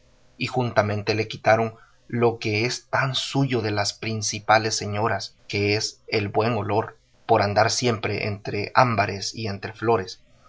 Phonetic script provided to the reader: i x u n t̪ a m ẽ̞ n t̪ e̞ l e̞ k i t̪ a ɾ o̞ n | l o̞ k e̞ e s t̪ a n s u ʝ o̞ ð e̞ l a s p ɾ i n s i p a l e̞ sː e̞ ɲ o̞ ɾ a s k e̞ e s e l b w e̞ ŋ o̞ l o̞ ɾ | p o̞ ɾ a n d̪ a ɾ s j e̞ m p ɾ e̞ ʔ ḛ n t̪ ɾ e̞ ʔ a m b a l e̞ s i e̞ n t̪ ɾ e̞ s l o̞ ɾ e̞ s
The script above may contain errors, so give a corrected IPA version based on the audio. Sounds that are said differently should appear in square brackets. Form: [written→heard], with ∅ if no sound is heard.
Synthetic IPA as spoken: i x u n t̪ a m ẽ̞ n t̪ e̞ l e̞ k i t̪ a ɾ o̞ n | l o̞ k e̞ e s t̪ a n s u ʝ o̞ ð e̞ l a s p ɾ i n s i p a l e̞ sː e̞ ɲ o̞ ɾ a s k e̞ e s e l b w e̞ ŋ o̞ l o̞ ɾ | p o̞ ɾ a n d̪ a ɾ s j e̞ m p ɾ e̞ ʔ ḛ n t̪ ɾ e̞ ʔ a m b a [l→ɾ] e̞ s i e̞ n t̪ ɾ e̞ [s→f] l o̞ ɾ e̞ s